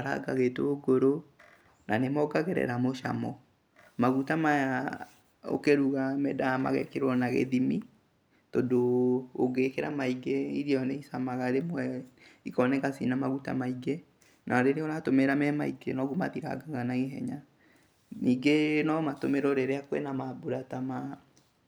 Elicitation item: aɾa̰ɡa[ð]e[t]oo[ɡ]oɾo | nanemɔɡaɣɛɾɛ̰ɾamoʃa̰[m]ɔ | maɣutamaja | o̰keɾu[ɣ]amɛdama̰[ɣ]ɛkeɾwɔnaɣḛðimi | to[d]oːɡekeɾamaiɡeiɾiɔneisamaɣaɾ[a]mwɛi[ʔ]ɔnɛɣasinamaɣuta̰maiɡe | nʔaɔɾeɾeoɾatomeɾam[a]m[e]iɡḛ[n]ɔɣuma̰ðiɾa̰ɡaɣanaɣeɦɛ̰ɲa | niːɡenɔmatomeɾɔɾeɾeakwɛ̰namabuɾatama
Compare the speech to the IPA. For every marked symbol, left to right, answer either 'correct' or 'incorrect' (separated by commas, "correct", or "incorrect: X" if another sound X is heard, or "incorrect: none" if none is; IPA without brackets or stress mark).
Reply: incorrect: ɣ, correct, correct, correct, correct, correct, correct, incorrect: e, incorrect: k, incorrect: ɛ, incorrect: a, correct